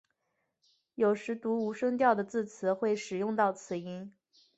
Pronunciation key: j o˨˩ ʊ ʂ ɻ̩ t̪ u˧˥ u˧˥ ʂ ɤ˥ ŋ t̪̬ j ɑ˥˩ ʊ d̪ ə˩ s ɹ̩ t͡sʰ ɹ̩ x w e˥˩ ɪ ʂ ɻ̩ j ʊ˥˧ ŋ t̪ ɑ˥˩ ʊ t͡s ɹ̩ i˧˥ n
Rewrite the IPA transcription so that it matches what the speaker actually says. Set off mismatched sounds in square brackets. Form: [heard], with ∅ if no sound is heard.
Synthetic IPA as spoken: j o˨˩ ʊ ʂ ɻ̩ t̪ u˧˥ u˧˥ ʂ ɤ˥ ŋ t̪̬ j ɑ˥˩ ʊ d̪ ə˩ [t͡s] ɹ̩ t͡sʰ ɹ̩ x w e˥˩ ɪ ʂ ɻ̩ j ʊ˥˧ ŋ t̪ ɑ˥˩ ʊ [t͡sʰ] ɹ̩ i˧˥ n